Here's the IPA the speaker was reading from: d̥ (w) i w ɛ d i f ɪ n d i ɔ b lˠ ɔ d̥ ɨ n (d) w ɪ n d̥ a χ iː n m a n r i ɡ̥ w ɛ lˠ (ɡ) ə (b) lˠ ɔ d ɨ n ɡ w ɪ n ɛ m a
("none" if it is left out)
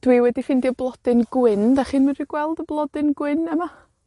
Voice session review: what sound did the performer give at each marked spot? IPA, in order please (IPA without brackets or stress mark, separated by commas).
w, ɡ, d, b